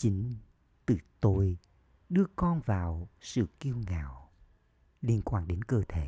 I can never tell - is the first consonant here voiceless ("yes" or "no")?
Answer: yes